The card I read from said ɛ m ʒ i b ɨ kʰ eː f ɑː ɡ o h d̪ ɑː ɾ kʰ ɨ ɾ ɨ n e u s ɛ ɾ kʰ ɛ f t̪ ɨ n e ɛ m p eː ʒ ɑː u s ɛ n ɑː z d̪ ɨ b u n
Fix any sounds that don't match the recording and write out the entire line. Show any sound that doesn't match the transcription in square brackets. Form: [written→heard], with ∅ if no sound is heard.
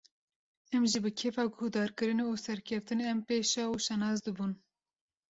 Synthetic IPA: ɛ m ʒ i b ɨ kʰ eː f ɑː ɡ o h d̪ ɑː ɾ [kʰ→k] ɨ ɾ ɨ n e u s ɛ ɾ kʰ ɛ f t̪ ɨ n e ɛ m p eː [ʒ→ʃ] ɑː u [s→ʃ] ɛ n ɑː z d̪ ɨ b u n